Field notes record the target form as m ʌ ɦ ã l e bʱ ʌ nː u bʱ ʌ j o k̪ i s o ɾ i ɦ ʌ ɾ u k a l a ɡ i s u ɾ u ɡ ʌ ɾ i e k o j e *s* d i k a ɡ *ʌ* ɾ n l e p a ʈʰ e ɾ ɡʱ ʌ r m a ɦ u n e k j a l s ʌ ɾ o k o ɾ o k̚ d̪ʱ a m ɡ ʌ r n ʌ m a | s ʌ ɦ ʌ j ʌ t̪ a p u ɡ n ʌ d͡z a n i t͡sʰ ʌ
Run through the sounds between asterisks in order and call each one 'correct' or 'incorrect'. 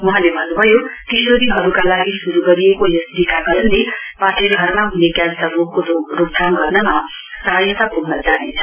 correct, correct

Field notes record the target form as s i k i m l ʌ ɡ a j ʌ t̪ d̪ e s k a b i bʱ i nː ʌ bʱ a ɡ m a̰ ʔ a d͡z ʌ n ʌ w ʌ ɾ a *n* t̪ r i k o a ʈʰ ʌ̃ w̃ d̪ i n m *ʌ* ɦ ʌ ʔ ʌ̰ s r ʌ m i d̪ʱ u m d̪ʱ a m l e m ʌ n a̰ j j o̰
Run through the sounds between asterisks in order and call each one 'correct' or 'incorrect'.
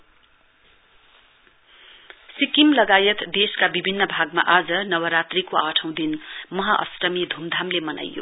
incorrect, correct

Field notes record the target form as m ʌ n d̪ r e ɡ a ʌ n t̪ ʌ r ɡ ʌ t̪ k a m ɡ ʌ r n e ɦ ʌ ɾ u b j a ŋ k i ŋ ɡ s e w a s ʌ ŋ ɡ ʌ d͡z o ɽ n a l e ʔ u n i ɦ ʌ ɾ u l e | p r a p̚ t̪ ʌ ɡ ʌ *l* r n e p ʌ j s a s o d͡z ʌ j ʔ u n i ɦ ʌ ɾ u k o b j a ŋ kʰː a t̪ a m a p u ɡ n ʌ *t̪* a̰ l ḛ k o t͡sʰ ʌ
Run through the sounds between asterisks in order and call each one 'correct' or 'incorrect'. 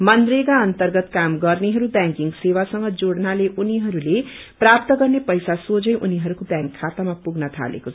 incorrect, incorrect

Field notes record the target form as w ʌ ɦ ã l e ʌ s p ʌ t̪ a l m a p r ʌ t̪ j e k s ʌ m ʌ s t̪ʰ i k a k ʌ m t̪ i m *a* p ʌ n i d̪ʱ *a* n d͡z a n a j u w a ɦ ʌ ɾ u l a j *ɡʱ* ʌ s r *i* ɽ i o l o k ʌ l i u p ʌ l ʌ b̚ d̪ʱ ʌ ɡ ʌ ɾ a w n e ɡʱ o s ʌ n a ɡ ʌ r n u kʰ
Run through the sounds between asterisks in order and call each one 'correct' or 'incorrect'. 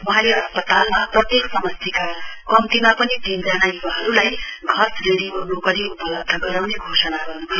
correct, incorrect, correct, incorrect

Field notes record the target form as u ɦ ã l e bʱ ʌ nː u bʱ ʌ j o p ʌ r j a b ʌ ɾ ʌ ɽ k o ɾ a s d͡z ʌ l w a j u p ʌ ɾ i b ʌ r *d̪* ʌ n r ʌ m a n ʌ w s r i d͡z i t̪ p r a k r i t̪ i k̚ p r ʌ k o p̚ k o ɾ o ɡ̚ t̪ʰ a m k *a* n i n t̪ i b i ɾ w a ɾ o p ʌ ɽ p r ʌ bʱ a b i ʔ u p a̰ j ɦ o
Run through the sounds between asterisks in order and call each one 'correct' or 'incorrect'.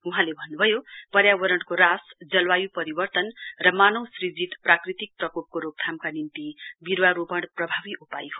incorrect, correct

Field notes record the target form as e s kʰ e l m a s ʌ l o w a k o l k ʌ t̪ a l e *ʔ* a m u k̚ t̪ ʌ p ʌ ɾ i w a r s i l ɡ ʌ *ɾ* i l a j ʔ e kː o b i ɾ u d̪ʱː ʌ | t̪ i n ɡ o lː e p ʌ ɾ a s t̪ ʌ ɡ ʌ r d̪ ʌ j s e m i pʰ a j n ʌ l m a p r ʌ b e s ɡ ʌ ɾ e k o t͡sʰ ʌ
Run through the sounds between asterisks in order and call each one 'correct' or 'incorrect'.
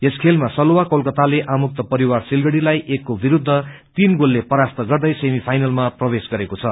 correct, incorrect

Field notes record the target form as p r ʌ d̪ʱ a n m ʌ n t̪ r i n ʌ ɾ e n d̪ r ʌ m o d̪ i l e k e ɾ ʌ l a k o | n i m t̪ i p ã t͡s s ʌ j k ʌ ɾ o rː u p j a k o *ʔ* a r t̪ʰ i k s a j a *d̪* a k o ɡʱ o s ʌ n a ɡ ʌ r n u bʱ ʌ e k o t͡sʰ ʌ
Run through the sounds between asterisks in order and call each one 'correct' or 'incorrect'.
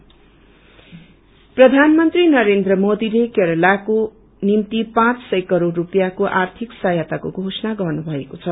correct, incorrect

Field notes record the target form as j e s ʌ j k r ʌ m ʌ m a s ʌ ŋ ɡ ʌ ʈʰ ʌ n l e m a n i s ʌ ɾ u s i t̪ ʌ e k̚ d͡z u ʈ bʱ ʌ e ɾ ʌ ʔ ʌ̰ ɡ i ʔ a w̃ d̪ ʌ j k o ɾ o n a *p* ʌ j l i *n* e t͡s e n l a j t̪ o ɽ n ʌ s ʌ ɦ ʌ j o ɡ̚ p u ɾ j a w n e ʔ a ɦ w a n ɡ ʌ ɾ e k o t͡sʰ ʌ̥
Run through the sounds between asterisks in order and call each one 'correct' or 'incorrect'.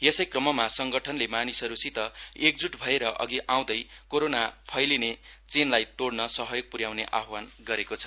incorrect, correct

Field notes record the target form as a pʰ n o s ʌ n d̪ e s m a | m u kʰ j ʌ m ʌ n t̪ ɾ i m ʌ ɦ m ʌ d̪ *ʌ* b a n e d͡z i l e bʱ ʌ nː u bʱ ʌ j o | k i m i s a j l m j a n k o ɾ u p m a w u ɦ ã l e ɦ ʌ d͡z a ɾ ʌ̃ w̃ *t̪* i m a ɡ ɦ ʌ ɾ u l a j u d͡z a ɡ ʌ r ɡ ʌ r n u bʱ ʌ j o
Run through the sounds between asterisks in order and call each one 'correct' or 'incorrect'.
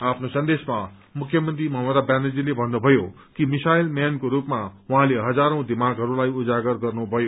incorrect, incorrect

